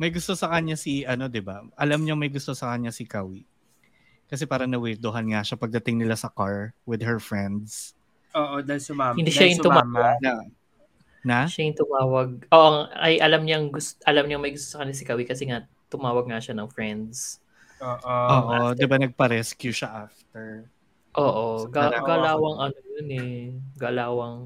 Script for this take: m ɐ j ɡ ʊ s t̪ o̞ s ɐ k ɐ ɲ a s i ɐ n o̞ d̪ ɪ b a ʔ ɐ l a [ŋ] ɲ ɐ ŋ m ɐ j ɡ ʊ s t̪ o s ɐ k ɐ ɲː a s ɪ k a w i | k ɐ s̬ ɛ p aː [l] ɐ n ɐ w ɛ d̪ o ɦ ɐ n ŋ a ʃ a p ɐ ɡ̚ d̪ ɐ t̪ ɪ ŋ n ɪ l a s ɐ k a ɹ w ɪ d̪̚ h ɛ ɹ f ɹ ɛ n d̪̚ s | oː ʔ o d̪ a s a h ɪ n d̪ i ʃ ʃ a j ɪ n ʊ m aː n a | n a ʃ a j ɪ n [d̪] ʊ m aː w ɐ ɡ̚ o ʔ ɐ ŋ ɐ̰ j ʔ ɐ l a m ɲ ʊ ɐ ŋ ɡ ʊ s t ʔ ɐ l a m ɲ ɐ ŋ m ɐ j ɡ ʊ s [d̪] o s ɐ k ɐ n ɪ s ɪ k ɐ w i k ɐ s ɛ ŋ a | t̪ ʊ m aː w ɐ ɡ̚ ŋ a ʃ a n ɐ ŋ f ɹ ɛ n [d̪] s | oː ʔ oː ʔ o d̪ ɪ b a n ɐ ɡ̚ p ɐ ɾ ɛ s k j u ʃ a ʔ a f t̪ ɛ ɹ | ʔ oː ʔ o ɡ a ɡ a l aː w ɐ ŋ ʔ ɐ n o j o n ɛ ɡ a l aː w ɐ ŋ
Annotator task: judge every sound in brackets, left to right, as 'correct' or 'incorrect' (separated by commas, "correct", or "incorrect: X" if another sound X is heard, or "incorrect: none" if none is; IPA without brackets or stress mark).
incorrect: m, incorrect: ɾ, incorrect: t̪, incorrect: t̪, correct